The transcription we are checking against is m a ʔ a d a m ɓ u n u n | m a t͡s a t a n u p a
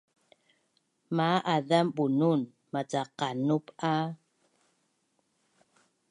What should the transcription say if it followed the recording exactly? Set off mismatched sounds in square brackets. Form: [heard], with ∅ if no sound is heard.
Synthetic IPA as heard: m a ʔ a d a m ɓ u n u n | m a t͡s a [q] a n u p a